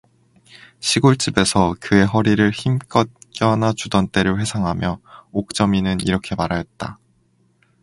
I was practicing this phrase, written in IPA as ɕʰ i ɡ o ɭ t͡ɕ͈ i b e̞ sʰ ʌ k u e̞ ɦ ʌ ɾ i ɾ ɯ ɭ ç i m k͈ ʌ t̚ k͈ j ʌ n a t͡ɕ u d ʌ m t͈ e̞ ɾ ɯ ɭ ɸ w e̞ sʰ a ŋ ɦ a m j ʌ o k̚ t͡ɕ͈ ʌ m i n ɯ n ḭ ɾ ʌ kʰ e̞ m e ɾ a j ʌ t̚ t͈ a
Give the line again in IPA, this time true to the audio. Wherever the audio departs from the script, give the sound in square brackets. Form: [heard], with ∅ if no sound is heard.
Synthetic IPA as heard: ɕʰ i ɡ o ɭ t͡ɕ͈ i b e̞ sʰ ʌ k [ɯ] e̞ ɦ ʌ ɾ i ɾ ɯ ɭ ç i m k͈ ʌ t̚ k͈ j ʌ n a t͡ɕ u d ʌ [n] t͈ e̞ ɾ ɯ ɭ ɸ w e̞ sʰ a ŋ ɦ a m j ʌ o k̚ t͡ɕ͈ ʌ m i n ɯ n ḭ ɾ ʌ kʰ e̞ m [a] ɾ a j ʌ t̚ t͈ a